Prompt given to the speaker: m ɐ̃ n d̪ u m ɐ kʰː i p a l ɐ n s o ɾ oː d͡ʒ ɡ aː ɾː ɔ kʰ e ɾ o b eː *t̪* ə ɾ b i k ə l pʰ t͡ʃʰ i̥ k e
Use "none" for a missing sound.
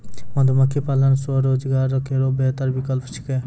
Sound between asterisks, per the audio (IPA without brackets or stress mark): t̪